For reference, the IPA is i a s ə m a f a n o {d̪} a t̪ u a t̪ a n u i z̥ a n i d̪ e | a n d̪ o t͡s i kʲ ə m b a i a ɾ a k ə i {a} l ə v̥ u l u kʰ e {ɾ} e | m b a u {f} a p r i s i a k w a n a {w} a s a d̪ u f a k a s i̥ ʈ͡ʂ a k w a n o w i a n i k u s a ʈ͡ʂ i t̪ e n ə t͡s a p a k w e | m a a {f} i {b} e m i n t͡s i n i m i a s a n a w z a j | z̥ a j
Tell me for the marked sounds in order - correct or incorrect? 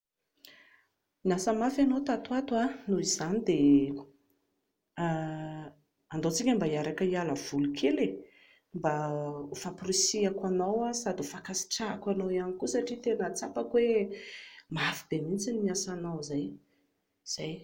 incorrect, correct, incorrect, correct, correct, correct, correct

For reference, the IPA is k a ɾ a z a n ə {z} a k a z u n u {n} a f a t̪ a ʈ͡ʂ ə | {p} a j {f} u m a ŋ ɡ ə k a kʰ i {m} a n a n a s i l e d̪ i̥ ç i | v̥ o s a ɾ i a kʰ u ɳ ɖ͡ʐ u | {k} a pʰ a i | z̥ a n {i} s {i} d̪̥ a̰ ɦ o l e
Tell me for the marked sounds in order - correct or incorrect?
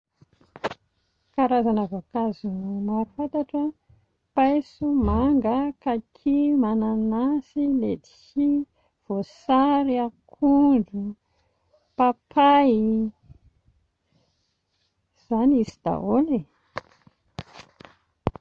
incorrect, incorrect, correct, incorrect, correct, incorrect, correct, correct

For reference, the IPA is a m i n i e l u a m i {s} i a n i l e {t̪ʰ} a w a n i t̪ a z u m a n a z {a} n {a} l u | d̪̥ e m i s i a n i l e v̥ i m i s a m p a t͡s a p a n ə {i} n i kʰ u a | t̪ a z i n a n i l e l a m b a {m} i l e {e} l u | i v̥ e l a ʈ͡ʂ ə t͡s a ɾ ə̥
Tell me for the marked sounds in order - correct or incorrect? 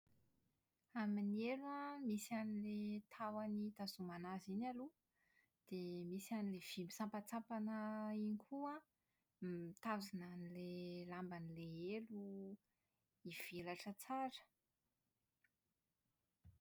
correct, correct, incorrect, correct, correct, incorrect, correct

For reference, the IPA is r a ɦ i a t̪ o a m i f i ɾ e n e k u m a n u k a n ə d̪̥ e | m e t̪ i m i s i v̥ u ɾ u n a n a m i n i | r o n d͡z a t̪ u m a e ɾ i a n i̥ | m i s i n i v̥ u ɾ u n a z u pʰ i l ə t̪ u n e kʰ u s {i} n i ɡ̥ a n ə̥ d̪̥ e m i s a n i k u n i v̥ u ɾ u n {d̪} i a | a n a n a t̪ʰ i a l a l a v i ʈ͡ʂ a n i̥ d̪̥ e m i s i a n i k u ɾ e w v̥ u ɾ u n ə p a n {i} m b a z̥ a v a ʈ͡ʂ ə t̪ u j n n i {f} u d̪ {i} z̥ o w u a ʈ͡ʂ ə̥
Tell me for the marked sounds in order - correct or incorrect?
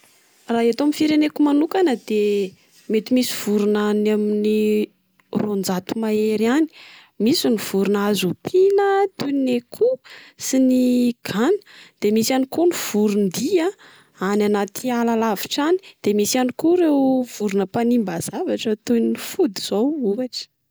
correct, correct, correct, correct, correct

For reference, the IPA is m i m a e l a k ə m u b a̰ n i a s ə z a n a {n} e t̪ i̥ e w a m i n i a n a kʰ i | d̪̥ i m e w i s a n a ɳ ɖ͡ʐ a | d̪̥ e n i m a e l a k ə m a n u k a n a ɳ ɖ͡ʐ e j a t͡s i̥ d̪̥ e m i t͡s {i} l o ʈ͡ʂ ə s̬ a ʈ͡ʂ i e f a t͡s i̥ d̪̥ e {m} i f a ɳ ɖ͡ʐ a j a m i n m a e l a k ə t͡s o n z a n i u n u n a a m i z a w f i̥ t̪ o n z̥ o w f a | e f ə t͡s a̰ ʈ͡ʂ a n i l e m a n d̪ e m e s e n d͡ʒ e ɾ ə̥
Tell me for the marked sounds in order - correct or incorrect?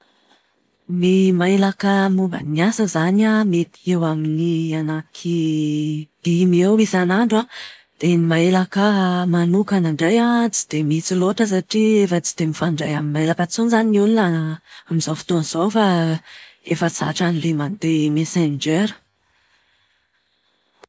incorrect, correct, correct

